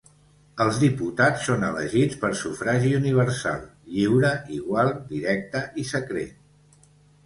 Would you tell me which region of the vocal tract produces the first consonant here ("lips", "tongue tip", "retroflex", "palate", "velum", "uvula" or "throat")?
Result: tongue tip